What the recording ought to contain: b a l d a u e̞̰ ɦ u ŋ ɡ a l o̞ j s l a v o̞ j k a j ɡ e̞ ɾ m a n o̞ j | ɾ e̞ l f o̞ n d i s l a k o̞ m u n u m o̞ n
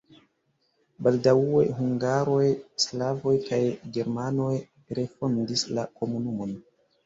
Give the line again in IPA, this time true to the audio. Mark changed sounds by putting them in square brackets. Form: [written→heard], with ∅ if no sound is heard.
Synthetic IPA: b a l d a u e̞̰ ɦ u ŋ ɡ a [l→ɾ] o̞ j s l a v o̞ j k a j ɡ e̞ ɾ m a n o̞ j | ɾ e̞ [l→∅] f o̞ n d i s l a k o̞ m u n u m o̞ n